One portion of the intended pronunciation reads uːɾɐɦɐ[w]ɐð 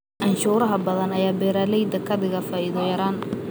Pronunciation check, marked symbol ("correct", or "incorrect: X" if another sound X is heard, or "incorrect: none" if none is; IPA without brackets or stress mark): incorrect: b